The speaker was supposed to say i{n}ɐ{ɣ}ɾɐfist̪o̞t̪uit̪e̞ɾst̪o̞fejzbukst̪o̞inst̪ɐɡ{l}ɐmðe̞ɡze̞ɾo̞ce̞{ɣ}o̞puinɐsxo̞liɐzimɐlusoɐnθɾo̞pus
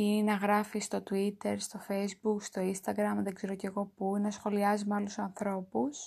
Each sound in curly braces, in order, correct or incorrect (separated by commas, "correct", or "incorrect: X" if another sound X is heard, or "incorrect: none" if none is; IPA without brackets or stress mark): correct, correct, incorrect: ɾ, correct